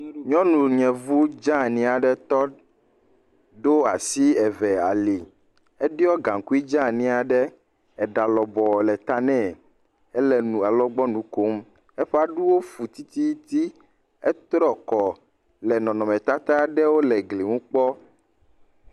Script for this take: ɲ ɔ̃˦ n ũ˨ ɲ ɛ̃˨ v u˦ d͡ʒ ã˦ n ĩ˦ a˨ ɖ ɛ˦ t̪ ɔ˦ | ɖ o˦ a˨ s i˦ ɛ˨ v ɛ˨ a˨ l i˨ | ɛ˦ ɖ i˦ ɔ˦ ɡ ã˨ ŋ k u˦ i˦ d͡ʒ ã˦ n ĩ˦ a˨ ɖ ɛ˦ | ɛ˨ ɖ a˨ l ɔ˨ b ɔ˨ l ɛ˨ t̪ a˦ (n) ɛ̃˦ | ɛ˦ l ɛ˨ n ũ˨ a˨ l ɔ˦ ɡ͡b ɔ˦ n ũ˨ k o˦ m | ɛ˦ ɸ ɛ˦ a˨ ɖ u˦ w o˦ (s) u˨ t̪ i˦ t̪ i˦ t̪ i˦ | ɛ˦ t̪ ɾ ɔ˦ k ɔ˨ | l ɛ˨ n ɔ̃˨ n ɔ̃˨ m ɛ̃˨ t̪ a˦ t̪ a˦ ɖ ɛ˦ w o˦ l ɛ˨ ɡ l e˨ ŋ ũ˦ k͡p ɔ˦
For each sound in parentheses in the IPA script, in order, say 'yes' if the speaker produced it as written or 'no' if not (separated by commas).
yes, no